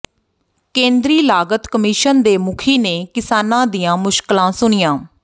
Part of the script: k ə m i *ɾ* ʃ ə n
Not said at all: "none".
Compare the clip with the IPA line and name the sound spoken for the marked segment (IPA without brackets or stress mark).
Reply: none